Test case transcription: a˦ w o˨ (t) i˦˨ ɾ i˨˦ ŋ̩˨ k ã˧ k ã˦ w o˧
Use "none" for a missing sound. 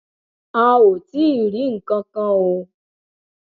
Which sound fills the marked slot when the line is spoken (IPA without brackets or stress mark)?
t